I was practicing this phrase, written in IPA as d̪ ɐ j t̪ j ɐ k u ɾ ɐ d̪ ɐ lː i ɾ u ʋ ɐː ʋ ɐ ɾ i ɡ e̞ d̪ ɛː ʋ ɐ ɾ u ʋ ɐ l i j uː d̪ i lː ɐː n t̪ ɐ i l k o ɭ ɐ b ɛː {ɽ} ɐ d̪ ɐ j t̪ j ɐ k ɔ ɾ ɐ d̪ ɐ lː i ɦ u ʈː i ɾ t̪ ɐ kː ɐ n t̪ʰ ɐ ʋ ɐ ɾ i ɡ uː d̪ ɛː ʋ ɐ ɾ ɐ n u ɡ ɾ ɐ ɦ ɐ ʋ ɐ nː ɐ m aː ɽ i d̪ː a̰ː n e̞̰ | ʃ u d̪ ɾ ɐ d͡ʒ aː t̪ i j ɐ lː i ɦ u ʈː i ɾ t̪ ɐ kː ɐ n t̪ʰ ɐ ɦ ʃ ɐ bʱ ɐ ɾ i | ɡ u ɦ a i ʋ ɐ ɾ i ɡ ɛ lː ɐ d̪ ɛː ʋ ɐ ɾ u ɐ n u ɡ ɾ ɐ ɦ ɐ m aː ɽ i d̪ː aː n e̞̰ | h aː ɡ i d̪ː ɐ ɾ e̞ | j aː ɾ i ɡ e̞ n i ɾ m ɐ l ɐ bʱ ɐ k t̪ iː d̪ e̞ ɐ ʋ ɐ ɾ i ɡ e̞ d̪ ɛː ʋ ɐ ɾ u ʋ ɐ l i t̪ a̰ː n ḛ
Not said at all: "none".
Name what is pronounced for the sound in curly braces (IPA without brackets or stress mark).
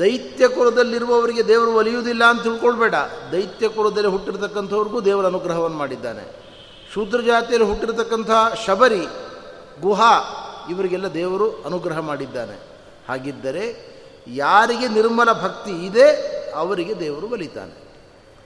ɽ